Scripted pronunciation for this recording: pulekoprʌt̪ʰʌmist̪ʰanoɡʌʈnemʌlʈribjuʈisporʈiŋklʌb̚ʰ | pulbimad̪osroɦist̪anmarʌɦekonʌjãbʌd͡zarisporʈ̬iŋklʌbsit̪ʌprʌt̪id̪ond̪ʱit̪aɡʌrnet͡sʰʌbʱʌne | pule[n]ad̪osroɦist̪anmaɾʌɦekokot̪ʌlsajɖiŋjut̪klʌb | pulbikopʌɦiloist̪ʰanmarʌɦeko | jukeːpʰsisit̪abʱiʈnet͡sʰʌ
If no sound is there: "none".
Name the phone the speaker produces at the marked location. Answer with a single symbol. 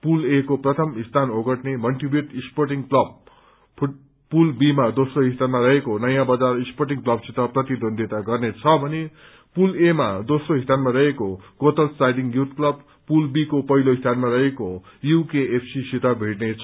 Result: m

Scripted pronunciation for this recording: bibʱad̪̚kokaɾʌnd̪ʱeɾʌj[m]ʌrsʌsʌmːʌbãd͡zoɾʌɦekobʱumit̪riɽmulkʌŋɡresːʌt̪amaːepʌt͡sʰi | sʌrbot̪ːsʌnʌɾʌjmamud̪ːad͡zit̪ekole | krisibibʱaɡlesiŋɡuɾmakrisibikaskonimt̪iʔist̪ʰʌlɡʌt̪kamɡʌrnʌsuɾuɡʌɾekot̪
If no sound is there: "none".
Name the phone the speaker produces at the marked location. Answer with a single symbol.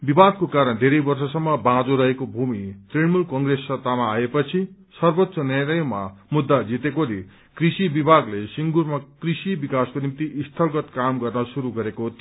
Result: b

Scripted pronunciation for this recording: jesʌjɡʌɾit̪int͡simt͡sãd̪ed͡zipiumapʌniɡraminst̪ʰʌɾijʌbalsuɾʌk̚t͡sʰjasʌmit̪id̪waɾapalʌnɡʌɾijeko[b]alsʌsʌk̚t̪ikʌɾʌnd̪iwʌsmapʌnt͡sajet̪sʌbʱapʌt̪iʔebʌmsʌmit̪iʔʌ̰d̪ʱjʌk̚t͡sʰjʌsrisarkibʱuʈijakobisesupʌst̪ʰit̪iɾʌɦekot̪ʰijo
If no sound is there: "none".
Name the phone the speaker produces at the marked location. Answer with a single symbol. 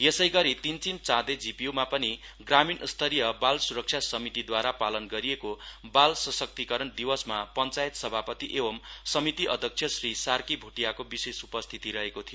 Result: b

